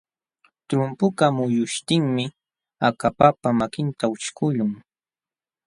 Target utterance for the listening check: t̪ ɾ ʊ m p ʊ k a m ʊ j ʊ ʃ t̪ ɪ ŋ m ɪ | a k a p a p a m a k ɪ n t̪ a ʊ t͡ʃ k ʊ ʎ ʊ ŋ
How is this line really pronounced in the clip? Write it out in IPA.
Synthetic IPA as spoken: t̪ ɾ ʊ m p ʊ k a m ʊ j ʊ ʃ t̪ ɪ ŋ m ɪ | a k a p a p a m a k ɪ n t̪ a ʊ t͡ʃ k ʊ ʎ ʊ ŋ